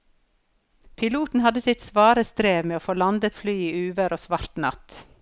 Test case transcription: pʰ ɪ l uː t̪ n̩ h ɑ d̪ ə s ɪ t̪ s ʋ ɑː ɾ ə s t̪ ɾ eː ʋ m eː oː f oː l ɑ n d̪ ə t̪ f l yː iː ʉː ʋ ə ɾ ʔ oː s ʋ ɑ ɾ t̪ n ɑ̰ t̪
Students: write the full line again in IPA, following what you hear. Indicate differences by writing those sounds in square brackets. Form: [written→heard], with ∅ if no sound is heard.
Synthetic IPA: pʰ ɪ l uː t̪ n̩ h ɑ d̪ ə s ɪ t̪ s ʋ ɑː ɾ ə s t̪ ɾ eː ʋ m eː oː f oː l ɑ n d̪ ə t̪ f l yː iː ʉː ʋ ə ɾ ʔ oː s ʋ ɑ ɾ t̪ n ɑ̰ t̪